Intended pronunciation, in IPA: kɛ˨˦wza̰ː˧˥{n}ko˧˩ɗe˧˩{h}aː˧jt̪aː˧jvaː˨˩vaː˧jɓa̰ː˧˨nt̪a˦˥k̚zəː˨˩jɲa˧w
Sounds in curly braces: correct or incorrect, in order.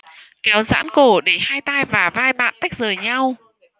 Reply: correct, correct

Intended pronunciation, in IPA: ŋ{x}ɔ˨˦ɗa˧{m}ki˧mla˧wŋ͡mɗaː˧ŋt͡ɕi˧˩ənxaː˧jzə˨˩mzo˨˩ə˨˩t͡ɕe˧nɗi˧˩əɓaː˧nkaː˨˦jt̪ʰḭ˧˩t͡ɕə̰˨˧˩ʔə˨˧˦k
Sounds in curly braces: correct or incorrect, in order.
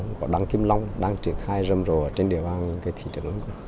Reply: incorrect: k, incorrect: ŋ

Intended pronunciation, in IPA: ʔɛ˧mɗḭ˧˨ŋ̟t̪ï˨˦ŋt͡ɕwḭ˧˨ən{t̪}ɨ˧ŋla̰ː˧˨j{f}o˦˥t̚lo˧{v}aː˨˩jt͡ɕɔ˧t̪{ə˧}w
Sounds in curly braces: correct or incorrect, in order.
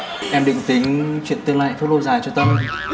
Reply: correct, correct, incorrect: z, correct

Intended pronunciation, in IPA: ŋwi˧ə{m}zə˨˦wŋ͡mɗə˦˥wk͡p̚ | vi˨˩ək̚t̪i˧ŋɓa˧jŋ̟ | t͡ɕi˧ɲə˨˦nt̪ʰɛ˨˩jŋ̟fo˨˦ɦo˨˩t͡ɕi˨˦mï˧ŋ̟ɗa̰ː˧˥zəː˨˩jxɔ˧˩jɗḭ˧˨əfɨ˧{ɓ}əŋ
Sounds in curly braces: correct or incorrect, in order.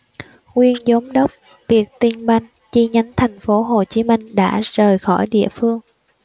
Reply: incorrect: n, incorrect: none

